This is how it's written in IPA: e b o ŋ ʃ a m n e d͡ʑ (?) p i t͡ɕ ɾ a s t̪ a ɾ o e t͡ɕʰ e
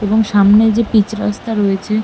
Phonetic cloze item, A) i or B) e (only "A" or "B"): B